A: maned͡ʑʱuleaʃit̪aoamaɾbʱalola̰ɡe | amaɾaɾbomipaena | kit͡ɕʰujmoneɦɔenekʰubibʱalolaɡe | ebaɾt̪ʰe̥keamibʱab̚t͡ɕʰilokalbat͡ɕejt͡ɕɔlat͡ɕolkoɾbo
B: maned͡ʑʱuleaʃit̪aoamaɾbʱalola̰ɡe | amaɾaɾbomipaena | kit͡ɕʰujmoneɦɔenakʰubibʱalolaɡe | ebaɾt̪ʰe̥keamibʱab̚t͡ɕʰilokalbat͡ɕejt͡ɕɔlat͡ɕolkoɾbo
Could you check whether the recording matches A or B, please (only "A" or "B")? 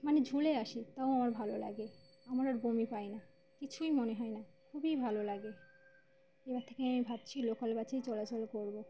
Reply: B